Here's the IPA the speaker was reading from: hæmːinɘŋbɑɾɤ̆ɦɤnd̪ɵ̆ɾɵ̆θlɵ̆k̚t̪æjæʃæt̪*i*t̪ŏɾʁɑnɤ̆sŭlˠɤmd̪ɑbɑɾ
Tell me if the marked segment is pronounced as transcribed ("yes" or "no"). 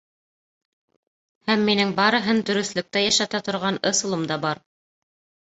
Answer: no